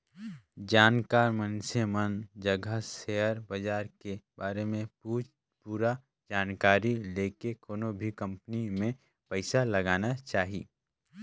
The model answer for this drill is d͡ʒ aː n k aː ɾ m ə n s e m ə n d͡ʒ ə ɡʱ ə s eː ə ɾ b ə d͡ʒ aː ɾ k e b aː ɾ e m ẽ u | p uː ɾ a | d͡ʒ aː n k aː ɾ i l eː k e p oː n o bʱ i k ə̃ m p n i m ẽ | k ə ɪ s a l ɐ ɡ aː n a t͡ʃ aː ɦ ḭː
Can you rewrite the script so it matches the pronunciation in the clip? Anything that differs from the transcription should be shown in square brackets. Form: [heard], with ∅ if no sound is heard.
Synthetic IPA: d͡ʒ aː n k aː ɾ m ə n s e m ə n d͡ʒ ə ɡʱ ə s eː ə ɾ b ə d͡ʒ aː ɾ k e b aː ɾ e m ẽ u | p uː ɾ a | d͡ʒ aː n k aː ɾ i l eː k e [k] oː n o bʱ i k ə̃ m p n i m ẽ | [p] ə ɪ s a l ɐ ɡ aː n a t͡ʃ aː ɦ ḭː

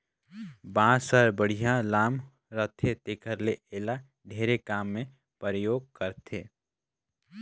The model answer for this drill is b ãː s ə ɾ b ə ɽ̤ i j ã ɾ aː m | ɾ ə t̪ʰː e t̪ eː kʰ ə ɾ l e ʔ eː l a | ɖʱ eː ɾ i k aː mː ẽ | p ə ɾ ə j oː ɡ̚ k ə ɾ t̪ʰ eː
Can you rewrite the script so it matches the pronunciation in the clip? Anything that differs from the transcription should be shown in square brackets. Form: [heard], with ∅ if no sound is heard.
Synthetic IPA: b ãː s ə ɾ b ə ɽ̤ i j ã [l] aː m | ɾ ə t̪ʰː e t̪ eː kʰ ə ɾ l e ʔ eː l a | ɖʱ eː ɾ [e] k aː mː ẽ | p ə ɾ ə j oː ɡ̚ k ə ɾ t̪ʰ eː

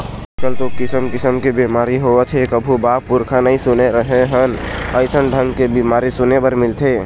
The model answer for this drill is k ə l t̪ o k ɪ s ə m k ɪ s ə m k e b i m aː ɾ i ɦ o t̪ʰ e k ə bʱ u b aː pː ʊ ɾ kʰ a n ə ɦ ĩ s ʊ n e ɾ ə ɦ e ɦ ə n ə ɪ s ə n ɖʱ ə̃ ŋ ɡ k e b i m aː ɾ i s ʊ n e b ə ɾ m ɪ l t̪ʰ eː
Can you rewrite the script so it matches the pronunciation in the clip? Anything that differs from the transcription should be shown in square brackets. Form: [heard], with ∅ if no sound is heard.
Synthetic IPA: k ə l t̪ o k ɪ s ə m k ɪ s ə m k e b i m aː ɾ i ɦ o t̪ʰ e k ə bʱ u b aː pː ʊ ɾ kʰ a n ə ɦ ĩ s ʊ n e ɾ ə ɦ e ɦ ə n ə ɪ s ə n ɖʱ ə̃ ŋ ɡ k e b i m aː ɾ i s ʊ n e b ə ɾ m ɪ l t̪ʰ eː

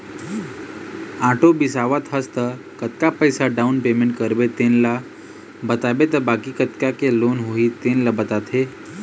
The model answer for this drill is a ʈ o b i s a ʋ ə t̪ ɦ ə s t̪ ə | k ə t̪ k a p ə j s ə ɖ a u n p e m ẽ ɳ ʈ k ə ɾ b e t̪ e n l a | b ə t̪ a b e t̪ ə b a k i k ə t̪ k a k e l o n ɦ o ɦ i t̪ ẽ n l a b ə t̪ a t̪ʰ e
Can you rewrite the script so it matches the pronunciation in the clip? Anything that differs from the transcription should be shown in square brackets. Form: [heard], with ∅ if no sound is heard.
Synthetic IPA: a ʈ o b i s a ʋ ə t̪ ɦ ə s t̪ ə | k ə t̪ k a p ə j s [a] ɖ a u n p e m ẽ ɳ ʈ k ə ɾ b e t̪ e n l a | b ə t̪ a b e t̪ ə b a k i k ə t̪ k a k e l o n ɦ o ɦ i t̪ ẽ n l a b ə t̪ a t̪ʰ e

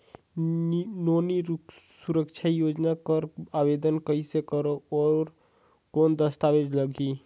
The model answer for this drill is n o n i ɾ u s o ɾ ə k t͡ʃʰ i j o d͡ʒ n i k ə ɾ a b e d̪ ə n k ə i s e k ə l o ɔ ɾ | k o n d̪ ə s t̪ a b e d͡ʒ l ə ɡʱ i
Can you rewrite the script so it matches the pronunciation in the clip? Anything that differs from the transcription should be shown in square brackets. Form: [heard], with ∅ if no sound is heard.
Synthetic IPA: n o n i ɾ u s [u] ɾ ə k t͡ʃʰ [a] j o d͡ʒ n [a] k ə ɾ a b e d̪ ə n k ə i s e k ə [ɾ] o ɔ ɾ | k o n d̪ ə s t̪ a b e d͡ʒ l ə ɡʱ i

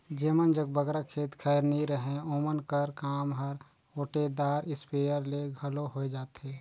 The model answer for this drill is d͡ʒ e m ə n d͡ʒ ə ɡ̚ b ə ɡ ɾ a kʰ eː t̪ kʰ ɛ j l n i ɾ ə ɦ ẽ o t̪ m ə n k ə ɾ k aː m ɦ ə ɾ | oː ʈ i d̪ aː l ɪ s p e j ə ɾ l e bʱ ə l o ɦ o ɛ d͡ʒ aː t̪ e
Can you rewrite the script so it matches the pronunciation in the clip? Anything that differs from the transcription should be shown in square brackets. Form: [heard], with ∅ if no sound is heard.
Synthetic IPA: d͡ʒ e m ə n d͡ʒ ə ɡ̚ b ə ɡ ɾ a kʰ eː t̪ kʰ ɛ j [ɾ] n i ɾ ə ɦ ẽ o [∅] m ə n k ə ɾ k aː m ɦ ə ɾ | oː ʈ [e] d̪ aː [ɾ] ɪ s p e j ə ɾ l e [ɡʱ] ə l o ɦ o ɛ d͡ʒ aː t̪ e

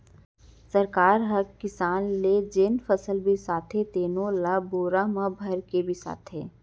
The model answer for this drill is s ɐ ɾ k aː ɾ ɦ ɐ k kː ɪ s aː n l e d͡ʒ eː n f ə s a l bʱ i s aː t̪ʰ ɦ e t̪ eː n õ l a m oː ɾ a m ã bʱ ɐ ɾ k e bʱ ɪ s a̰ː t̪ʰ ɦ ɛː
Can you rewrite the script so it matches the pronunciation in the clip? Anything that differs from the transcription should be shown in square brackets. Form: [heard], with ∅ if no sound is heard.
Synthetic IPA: s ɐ ɾ k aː ɾ ɦ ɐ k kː ɪ s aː n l e d͡ʒ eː n f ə s [ə] l bʱ i s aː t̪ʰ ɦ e t̪ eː n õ l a [b] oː ɾ a m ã bʱ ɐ ɾ k e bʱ [i] s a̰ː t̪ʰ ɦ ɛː

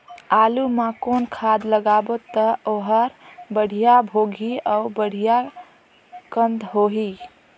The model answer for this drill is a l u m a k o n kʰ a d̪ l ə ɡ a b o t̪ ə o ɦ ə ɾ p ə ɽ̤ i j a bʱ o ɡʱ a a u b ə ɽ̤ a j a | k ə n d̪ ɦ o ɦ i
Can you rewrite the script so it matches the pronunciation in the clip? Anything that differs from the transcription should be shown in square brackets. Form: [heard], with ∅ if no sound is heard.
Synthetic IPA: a l u m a k o n kʰ a d̪ l ə ɡ a b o t̪ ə o ɦ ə ɾ [b] ə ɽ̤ i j a bʱ o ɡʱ [i] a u b ə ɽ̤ [i] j a | k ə n d̪ ɦ o ɦ i

